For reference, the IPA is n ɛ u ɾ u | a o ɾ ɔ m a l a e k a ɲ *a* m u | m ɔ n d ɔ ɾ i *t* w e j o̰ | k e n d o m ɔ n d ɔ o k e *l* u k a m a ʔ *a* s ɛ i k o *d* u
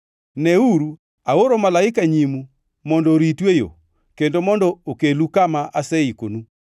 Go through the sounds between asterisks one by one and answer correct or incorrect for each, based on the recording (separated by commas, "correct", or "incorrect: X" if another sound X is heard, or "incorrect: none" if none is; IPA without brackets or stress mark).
incorrect: i, correct, correct, correct, incorrect: n